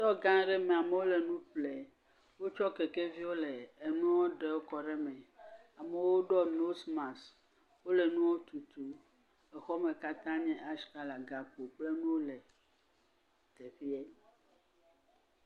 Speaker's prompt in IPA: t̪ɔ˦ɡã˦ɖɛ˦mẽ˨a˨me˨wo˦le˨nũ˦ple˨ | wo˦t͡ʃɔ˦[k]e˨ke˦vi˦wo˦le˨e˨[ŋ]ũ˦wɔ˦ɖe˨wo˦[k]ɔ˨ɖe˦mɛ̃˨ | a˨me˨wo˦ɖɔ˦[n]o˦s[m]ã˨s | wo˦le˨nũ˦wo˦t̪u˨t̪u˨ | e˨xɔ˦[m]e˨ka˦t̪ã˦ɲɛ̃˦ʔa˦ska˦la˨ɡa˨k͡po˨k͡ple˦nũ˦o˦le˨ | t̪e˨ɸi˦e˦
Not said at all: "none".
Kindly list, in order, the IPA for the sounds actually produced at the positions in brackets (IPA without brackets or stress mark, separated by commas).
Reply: k, n, k, n, m, m